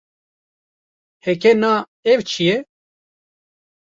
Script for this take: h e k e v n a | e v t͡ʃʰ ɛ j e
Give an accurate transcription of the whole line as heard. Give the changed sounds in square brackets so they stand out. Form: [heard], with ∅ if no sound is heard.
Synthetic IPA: h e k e [∅] n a | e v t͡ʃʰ [i] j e